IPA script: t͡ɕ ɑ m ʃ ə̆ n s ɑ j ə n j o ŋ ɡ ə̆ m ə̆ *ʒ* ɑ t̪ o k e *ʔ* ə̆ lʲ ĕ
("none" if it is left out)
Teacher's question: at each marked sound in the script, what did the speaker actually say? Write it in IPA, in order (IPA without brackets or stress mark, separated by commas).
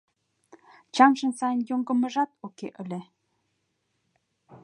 ʒ, ʔ